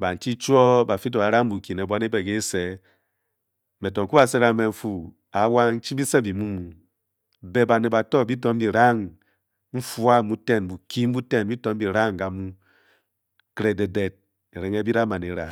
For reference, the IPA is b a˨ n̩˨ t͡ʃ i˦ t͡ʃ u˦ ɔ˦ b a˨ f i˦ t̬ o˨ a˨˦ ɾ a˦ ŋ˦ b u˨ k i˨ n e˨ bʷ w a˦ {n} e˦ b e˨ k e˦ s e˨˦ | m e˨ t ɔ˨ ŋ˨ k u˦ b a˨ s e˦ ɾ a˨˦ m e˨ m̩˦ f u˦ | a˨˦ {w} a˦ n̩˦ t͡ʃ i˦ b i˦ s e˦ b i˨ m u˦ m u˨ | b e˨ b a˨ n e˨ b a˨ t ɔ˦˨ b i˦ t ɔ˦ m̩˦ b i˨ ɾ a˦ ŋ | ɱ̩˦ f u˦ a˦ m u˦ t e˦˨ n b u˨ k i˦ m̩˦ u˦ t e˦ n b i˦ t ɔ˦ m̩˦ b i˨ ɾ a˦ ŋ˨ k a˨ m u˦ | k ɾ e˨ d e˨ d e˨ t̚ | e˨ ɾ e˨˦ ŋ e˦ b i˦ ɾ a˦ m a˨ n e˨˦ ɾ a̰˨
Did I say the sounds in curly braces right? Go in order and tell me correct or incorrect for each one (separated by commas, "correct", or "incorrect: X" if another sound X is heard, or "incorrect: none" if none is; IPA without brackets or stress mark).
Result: correct, correct